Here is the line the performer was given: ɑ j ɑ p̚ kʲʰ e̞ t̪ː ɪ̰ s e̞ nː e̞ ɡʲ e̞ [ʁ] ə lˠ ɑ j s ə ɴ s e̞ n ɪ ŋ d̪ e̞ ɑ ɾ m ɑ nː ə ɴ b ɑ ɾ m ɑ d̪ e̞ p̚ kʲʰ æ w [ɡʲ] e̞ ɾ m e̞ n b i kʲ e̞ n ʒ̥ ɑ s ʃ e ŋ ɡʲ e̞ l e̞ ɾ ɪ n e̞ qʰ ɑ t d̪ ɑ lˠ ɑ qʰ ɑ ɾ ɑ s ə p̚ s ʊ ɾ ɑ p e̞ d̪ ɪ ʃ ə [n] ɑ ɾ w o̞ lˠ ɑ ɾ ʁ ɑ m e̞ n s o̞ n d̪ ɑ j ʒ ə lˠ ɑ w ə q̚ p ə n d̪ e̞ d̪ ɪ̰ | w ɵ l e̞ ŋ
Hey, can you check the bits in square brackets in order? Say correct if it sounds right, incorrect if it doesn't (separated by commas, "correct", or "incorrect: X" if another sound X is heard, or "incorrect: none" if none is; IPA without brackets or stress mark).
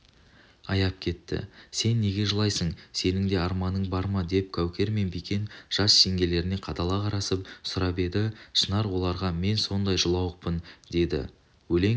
incorrect: ʒ, incorrect: kʲ, correct